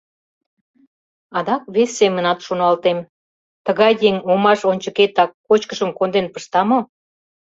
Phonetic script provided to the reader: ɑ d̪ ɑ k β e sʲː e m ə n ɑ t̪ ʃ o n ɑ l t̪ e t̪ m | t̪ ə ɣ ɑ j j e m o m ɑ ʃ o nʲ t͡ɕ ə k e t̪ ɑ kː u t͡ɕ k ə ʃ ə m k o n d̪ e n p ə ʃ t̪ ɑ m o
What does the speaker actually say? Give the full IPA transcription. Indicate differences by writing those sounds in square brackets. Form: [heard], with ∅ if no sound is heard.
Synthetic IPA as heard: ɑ d̪ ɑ k β e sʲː e m ə n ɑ t̪ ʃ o n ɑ l t̪ e [∅] m | t̪ ə ɣ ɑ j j e [ŋ] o m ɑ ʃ o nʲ t͡ɕ ə k e t̪ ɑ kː [o] t͡ɕ k ə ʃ ə m k o n d̪ e n p ə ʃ t̪ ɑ m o